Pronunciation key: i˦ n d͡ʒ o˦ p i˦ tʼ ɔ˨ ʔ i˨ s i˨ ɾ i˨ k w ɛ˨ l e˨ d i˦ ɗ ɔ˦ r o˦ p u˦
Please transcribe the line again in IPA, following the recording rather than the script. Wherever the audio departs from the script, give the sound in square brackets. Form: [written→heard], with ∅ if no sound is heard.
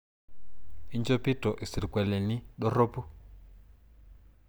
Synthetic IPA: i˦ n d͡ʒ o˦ p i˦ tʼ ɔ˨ ʔ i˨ s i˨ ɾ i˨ k w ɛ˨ l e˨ [d→n] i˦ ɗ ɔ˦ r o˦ p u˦